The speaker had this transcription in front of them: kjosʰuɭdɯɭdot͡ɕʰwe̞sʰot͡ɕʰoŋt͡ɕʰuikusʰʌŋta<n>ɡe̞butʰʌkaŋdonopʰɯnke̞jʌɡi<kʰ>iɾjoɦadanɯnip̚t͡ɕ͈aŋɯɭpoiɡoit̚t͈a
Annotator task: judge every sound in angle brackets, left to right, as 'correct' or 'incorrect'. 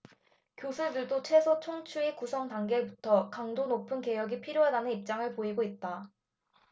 incorrect: ŋ, incorrect: pʰ

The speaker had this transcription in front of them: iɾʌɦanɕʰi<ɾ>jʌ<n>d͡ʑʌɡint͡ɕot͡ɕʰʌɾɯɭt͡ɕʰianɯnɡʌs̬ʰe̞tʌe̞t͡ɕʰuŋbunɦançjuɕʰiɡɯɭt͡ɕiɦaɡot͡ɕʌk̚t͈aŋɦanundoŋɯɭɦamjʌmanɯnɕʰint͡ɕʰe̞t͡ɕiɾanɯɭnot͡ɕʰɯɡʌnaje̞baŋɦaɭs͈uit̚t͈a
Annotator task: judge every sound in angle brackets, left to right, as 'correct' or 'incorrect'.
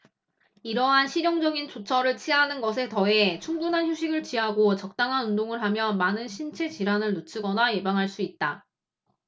correct, incorrect: ŋ

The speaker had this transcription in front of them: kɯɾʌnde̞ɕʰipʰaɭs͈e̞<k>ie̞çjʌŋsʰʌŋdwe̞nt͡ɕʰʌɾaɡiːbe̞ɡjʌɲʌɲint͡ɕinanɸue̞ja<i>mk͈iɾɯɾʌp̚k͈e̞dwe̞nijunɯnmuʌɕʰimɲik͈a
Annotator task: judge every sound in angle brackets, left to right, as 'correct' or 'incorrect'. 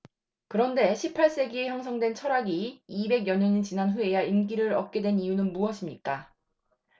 incorrect: ɡ, correct

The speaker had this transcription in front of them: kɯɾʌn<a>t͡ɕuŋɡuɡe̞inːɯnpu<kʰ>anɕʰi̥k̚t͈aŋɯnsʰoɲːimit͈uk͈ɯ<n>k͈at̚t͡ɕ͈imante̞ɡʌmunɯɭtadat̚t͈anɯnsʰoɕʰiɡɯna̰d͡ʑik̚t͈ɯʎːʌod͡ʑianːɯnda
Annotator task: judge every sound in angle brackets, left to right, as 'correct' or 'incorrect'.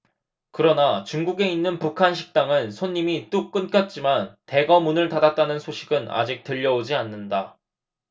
correct, correct, correct

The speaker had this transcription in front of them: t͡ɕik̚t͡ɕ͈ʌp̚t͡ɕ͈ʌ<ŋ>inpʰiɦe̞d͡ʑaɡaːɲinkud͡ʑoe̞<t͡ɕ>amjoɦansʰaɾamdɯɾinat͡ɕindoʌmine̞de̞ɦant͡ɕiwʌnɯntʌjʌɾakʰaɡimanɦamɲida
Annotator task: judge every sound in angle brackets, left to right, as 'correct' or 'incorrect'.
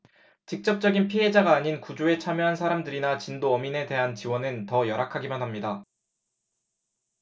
incorrect: ɡ, incorrect: t͡ɕʰ

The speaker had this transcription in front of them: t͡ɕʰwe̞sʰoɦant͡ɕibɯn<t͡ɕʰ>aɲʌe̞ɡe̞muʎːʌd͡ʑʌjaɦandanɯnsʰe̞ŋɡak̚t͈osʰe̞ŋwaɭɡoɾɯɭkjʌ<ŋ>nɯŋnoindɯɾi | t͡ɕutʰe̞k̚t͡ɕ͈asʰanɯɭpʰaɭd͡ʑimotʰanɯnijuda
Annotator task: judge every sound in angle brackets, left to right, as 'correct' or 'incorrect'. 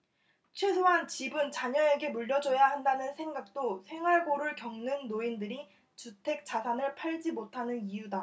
incorrect: t͡ɕ, correct

